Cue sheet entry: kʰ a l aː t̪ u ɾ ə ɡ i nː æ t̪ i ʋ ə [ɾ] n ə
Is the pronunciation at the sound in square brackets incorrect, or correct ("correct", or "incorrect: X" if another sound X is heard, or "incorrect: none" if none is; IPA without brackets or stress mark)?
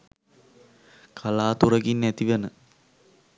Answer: incorrect: none